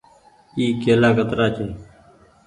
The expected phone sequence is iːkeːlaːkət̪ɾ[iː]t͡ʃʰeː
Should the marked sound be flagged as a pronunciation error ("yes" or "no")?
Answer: yes